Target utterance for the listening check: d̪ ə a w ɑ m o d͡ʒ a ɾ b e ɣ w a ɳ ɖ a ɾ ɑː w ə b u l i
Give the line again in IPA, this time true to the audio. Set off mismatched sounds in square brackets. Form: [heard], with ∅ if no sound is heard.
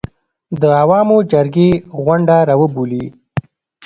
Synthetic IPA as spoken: d̪ ə a w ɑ m o d͡ʒ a ɾ [ɡ] e ɣ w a ɳ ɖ a ɾ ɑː w ə b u l i